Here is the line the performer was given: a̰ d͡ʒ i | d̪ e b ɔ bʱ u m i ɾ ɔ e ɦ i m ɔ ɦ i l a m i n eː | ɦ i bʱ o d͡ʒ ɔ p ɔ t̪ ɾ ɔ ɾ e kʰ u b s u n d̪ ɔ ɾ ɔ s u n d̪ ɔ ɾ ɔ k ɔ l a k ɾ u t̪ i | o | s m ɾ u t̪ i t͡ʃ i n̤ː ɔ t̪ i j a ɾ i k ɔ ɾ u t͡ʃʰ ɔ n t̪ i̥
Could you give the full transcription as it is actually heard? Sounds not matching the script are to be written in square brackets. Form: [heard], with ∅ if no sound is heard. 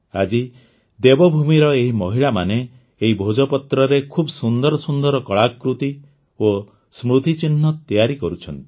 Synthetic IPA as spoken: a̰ d͡ʒ i | d̪ e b ɔ bʱ u m i ɾ ɔ e ɦ i m ɔ ɦ i [ɭ] a m [a] n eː | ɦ i bʱ o d͡ʒ ɔ p ɔ t̪ ɾ ɔ ɾ e kʰ u b s u n d̪ ɔ ɾ ɔ s u n d̪ ɔ ɾ ɔ k ɔ [ɭ] a k ɾ u t̪ i | o | s m ɾ u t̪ i t͡ʃ i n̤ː ɔ t̪ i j a ɾ i k ɔ ɾ u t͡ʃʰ ɔ n t̪ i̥